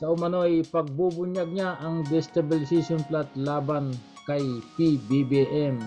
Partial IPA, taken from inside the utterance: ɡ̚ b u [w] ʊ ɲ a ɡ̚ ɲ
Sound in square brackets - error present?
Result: yes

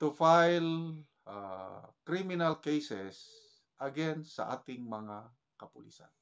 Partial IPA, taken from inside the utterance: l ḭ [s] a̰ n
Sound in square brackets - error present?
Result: no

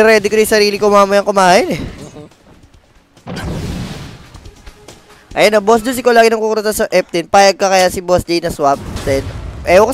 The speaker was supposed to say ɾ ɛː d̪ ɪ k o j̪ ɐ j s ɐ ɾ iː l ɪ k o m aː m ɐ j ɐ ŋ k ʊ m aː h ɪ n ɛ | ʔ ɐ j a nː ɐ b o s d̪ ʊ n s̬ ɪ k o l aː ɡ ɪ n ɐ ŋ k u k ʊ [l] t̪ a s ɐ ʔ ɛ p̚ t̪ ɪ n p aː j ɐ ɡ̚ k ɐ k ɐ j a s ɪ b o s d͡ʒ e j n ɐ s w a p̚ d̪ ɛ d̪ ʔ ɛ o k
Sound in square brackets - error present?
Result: yes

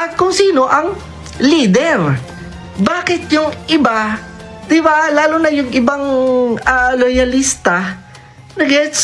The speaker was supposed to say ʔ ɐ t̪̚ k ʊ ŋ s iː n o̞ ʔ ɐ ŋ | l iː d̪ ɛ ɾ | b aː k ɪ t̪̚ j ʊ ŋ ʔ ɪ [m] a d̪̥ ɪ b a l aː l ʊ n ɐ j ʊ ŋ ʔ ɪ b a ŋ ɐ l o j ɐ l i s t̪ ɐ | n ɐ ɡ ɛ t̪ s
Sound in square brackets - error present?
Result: yes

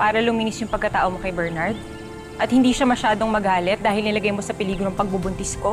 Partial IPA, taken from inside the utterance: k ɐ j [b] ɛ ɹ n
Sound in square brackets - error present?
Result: no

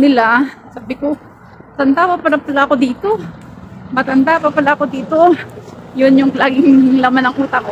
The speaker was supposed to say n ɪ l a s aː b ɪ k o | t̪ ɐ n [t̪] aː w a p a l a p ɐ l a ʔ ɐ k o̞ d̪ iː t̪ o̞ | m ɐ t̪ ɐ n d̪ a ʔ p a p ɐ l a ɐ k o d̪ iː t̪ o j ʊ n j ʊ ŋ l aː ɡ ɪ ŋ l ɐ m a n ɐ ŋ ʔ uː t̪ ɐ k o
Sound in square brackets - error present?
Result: yes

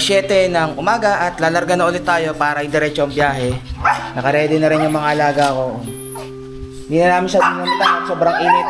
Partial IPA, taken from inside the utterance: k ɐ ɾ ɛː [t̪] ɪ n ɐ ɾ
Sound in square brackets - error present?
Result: yes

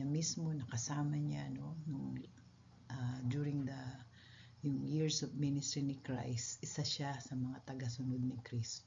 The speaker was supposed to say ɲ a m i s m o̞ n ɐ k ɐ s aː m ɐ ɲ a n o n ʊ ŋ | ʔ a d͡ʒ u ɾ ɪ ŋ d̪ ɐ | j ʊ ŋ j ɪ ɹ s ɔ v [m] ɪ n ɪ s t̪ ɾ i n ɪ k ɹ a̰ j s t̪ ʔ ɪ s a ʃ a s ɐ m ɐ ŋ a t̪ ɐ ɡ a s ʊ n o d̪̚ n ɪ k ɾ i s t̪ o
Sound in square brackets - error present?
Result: no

